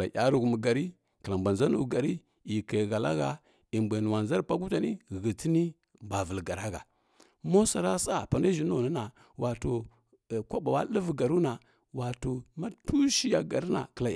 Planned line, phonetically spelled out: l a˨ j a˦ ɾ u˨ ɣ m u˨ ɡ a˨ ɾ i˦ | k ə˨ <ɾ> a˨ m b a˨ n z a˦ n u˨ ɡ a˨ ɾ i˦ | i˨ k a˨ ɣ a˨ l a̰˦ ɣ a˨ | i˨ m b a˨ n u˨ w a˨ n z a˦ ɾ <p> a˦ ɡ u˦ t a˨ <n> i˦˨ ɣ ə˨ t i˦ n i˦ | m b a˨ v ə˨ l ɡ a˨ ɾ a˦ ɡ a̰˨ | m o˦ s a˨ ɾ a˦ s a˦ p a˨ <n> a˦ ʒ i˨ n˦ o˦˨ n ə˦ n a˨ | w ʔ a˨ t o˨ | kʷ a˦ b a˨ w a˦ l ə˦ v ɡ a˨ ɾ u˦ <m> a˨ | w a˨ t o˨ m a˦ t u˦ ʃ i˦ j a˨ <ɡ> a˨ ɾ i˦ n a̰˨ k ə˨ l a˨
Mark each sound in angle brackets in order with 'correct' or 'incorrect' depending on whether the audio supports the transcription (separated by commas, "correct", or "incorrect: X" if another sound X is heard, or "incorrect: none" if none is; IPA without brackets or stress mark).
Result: incorrect: l, correct, correct, correct, incorrect: n, correct